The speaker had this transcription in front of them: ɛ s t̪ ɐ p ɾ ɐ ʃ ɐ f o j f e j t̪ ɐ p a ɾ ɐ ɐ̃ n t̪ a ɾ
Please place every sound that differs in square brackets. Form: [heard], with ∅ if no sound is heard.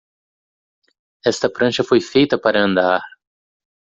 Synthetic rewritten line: ɛ s t̪ ɐ p ɾ [ɐ̃] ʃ ɐ f o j f e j t̪ ɐ p a ɾ ɐ ɐ̃ n [d̪] a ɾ

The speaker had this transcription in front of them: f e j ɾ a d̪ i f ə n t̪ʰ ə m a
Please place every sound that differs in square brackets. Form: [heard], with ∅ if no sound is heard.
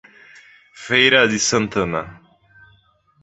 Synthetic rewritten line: f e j ɾ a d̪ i [s] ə n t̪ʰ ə [n] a

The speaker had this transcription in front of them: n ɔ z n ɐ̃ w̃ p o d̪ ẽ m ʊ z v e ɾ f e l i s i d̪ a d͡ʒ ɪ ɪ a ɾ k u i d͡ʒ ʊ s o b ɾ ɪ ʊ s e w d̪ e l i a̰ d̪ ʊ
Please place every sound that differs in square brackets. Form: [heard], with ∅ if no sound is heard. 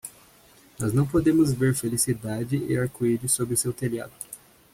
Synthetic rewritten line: n ɔ z n ɐ̃ w̃ p o d̪ ẽ m ʊ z v e ɾ f e l i s i d̪ a d͡ʒ ɪ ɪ a ɾ k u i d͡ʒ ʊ s o b ɾ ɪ ʊ s e w [t̪] e l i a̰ d̪ ʊ

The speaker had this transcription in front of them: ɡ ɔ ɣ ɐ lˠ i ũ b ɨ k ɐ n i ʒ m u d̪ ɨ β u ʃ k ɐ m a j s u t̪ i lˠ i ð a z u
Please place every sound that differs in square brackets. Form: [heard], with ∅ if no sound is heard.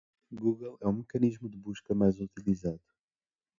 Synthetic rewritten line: ɡ [u] ɣ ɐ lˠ [ɛ] ũ [m] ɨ k ɐ n i ʒ m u d̪ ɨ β u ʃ k ɐ m a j [z] u t̪ i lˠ i [z] a [ð] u

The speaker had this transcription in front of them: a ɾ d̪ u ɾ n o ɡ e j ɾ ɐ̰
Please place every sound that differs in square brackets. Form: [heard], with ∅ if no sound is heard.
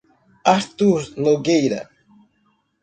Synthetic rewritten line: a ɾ [t̪] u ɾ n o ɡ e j ɾ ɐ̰

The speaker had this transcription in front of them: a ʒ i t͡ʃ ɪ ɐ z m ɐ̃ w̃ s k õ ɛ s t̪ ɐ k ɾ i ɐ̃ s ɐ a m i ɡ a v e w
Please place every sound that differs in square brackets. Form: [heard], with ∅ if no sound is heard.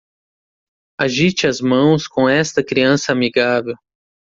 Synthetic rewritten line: a ʒ i t͡ʃ ɪ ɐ z m ɐ̃ w̃ s k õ ɛ s t̪ ɐ k ɾ i ɐ̃ s ɐ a m i ɡ a v e w

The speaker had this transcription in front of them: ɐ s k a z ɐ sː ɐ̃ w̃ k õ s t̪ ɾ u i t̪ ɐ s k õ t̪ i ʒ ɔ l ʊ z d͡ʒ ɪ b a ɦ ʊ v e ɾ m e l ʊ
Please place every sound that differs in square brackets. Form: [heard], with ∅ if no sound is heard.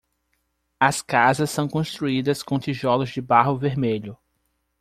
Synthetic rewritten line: ɐ s k a z ɐ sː ɐ̃ w̃ k õ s t̪ ɾ u i [d̪] ɐ s k õ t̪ i ʒ ɔ l ʊ z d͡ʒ ɪ b a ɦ ʊ v e ɾ m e [ʎ] ʊ

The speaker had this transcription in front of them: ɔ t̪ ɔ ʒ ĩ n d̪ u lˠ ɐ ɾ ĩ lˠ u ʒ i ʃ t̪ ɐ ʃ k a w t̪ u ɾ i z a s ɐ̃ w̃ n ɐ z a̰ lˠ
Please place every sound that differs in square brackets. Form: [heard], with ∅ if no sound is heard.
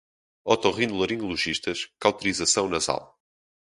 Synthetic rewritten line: ɔ t̪ ɔ [ʁ] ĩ n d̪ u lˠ ɐ ɾ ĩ lˠ u ʒ i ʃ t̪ ɐ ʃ k a w t̪ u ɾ i z [ɐ] s ɐ̃ w̃ n ɐ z a̰ lˠ

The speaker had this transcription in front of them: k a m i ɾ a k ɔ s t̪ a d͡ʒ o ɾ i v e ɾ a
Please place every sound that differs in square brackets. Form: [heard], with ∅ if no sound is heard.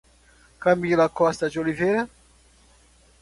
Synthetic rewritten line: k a m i [l] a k ɔ s t̪ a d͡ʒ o [l] i v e ɾ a

